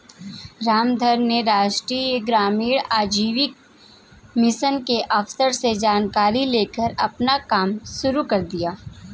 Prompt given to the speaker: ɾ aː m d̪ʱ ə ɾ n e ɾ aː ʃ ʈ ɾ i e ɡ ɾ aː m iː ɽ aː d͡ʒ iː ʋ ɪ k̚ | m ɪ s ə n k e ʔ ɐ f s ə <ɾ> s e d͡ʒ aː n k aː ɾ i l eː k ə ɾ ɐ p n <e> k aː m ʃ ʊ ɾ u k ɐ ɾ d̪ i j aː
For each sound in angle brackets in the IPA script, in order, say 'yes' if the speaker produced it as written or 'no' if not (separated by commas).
yes, no